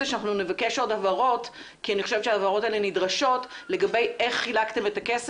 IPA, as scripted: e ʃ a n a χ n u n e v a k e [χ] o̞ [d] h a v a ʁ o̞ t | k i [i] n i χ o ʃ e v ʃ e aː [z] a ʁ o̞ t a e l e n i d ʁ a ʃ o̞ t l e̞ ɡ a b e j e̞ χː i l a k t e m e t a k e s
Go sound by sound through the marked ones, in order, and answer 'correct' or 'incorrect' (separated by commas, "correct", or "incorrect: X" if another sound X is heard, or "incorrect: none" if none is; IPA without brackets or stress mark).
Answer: incorrect: ʃ, correct, incorrect: a, incorrect: v